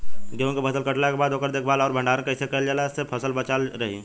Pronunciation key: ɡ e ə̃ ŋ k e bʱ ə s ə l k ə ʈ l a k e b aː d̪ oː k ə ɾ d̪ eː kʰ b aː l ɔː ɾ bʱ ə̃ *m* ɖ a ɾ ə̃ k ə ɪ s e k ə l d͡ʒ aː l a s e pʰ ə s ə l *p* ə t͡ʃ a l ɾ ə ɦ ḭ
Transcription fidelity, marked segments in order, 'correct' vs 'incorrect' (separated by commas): incorrect, incorrect